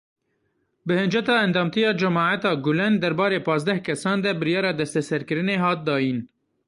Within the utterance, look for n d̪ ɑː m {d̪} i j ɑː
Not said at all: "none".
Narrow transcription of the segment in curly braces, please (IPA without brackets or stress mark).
t̪